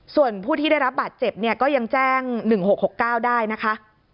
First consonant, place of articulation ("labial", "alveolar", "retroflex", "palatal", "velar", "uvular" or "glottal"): alveolar